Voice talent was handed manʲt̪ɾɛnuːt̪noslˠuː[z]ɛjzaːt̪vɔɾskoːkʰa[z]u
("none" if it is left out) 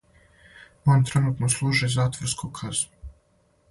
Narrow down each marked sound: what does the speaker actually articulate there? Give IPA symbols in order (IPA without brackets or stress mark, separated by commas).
ʒ, z